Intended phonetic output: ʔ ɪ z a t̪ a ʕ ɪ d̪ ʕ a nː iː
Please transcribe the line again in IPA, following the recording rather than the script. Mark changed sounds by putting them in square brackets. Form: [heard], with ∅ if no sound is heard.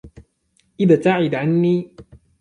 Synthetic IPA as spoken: ʔ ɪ [ð] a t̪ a ʕ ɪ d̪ ʕ a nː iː